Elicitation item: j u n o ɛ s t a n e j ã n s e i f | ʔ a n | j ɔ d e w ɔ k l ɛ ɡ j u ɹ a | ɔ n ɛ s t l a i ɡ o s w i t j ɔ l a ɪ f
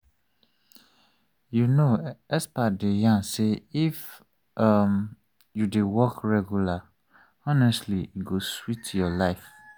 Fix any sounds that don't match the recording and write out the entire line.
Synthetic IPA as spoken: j u n o ɛ s p a d e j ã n s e i f | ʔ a m | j u d e w ɔ k ɹ ɛ ɡ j u l a | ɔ n ɛ s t l i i ɡ o s w i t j ɔ l a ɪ f

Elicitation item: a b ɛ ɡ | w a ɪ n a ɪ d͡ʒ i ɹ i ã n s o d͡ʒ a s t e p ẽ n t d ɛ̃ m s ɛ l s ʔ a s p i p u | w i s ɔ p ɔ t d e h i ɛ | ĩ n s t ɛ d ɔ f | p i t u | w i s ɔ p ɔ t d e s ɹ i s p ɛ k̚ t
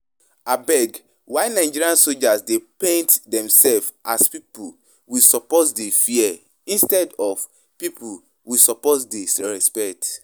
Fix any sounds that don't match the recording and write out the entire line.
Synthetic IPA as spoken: a b ɛ ɡ | w a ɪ n a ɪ d͡ʒ i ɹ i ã n s o d͡ʒ a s d e p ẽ n t d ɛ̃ m s ɛ l f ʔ a s p i p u | w i s ɔ p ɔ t d e f i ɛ | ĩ n s t ɛ d ɔ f | p i p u | w i s ɔ p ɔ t d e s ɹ ɛ s p ɛ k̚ t

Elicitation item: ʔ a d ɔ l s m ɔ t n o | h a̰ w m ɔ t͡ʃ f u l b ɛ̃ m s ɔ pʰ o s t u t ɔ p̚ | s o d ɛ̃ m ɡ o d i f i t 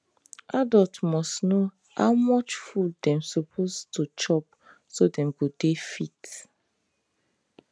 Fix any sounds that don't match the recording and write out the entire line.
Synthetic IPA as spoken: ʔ a d ɔ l t m ɔ s n o | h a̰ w m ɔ t͡ʃ f u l d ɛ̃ m s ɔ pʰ o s t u t͡ʃ ɔ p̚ | s o d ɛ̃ m ɡ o d e f i t

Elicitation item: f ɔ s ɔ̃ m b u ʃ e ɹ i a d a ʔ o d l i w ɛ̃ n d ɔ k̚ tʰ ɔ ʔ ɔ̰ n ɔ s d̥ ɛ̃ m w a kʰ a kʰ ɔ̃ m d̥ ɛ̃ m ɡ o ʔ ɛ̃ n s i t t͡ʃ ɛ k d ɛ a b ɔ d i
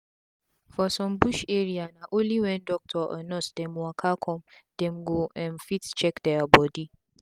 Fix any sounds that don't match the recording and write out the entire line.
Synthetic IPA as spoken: f ɔ s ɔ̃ m b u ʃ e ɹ i a n a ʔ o l i w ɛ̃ n d ɔ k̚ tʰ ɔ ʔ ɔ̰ n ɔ s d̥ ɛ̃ m w a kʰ a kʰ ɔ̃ m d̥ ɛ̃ m ɡ o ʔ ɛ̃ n f i t t͡ʃ ɛ k d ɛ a b ɔ d i

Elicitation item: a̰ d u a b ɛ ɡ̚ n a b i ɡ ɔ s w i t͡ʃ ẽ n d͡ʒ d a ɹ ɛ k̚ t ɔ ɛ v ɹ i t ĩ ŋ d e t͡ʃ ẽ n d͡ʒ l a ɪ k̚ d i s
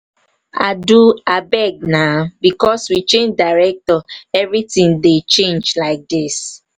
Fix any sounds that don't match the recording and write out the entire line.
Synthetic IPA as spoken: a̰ d u a b ɛ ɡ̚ n a b i k ɔ s w i t͡ʃ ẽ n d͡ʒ d a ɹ ɛ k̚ t ɔ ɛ v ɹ i t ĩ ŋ d e t͡ʃ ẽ n d͡ʒ l a ɪ k̚ d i s

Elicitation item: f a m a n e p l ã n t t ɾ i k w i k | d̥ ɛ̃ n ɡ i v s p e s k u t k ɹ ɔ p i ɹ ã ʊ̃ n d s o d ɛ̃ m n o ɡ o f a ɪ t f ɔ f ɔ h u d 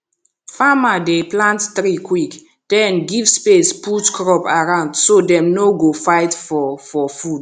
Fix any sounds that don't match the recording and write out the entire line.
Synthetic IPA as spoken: f a m a d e p l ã n t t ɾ i k w i k | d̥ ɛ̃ n ɡ i v s p e s p u t k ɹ ɔ p a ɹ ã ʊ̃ n d s o d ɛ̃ m n o ɡ o f a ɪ t f ɔ f ɔ f u d

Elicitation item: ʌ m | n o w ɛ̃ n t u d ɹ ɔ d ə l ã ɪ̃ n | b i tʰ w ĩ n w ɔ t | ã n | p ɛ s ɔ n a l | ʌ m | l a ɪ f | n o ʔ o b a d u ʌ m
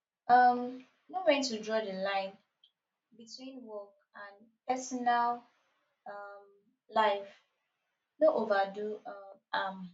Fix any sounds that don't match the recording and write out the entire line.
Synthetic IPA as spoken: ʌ m | n o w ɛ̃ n t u d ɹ ɔ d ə l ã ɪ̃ n | b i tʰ w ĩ n w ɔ k | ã n | p ɛ s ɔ n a l | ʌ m | l a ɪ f | n o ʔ o v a d u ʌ m

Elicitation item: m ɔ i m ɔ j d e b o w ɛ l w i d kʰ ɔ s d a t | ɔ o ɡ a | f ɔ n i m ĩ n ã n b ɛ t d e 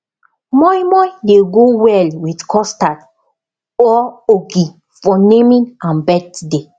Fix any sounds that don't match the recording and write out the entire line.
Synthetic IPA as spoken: m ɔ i m ɔ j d e ɡ o w ɛ l w i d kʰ ɔ s t a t | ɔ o ɡ i | f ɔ n e m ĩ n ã n b ɛ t d e

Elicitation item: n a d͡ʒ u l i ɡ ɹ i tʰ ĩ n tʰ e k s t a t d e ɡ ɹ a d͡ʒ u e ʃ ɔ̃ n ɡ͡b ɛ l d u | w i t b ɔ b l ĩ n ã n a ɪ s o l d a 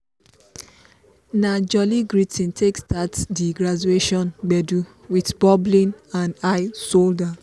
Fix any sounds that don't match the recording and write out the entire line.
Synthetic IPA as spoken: n a d͡ʒ ɔ l i ɡ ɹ i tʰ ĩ n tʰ e k s t a t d i ɡ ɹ a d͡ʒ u e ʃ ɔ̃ n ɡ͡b ɛ d u | w i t b ɔ b l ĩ n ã n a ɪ s o l d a

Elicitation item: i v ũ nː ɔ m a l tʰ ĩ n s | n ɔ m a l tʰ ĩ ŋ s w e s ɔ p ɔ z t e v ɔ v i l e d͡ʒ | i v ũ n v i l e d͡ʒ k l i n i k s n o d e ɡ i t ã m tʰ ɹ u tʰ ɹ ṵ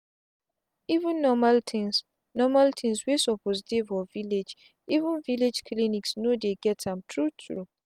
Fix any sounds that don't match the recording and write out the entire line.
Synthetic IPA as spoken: i v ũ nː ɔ m a l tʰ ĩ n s | n ɔ m a l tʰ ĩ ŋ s w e s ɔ p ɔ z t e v ɔ v i l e d͡ʒ | i v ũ n v i l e d͡ʒ k l i n i k s n o d e ɡ ɛ t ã m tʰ ɹ u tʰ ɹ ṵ

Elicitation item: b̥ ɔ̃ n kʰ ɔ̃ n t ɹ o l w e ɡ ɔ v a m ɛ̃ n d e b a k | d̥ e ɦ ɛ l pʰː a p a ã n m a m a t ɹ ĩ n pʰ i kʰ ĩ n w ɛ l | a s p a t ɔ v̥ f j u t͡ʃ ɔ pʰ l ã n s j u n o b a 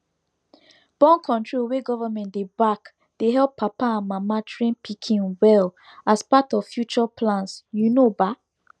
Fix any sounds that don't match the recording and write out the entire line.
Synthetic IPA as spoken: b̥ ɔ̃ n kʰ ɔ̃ n t ɹ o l w e ɡ ɔ v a m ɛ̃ n d e b a k | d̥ e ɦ ɛ l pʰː a p a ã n m a m a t ɹ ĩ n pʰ i kʰ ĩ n w ɛ l | a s p a t ɔ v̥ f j u t͡ʃ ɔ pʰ l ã n s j u n o b a

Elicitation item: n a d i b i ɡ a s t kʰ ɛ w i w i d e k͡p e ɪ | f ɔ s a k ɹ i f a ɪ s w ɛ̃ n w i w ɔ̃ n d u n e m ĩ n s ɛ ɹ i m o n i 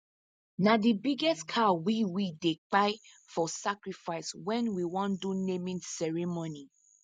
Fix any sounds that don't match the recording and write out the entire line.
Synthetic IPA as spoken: n a d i b i ɡ ɛ s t kʰ a w i w i d e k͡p a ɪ | f ɔ s a k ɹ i f a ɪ s w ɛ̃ n w i w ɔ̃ n d u n e m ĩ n s ɛ ɹ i m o n i

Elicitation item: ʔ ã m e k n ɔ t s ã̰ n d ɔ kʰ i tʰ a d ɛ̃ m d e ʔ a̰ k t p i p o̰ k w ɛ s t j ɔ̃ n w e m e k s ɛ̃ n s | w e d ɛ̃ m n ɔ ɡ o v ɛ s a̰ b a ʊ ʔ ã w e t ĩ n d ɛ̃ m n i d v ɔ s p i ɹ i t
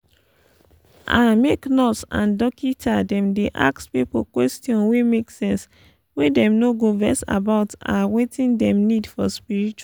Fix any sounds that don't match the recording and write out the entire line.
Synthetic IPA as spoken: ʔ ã m e k n ɔ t s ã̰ n d ɔ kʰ i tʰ a d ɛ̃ m d e ʔ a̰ k s p i p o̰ k w ɛ s t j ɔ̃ n w e m e k s ɛ̃ n s | w e d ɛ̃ m n o ɡ o v ɛ s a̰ b a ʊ t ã w e t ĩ n d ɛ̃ m n i d f ɔ s p i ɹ i t͡ʃ

